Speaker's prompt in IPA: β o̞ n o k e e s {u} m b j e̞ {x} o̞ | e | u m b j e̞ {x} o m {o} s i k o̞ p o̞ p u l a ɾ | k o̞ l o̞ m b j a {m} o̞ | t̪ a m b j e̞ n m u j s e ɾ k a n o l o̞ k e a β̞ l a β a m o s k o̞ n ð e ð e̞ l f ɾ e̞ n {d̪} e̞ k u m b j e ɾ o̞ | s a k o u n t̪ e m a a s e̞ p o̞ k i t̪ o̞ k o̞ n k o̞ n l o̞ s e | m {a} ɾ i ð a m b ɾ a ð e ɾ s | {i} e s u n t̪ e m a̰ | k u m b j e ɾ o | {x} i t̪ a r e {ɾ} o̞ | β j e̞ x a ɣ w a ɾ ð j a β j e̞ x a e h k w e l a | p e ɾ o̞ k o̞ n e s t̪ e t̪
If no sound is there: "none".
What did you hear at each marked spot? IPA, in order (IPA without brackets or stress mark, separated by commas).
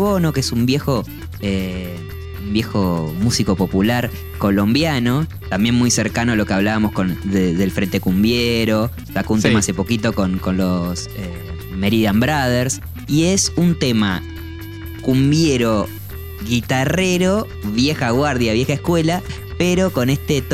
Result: u, x, x, u, n, t̪, e, i, ɣ, ɾ